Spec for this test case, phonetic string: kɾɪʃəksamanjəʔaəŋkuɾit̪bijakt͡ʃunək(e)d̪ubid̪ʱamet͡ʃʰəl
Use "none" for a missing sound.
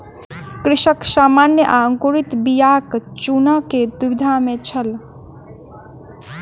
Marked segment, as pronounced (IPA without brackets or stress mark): e